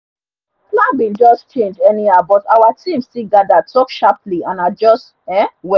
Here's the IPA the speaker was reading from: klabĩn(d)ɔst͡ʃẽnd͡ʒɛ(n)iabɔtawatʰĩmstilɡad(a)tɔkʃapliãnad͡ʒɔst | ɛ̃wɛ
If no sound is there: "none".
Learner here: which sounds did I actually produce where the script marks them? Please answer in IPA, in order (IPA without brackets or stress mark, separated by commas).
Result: d͡ʒ, n, a